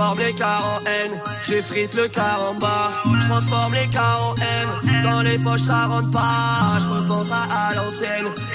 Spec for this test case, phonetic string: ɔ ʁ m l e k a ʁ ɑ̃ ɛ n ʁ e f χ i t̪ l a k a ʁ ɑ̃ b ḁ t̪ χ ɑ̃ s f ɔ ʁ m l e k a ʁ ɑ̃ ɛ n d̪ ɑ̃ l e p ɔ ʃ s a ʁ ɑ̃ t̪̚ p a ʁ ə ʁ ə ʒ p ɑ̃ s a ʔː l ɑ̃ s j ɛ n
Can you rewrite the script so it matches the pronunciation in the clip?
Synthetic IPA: ɔ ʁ m l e k a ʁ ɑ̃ ɛ n ʒ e f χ i t̪ l ə k a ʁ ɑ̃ b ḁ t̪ χ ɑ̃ s f ɔ ʁ m l e k a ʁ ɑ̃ ɛ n d̪ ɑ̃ l e p ɔ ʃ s a ʁ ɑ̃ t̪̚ p a ʒ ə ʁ ə p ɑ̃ s a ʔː l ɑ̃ s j ɛ n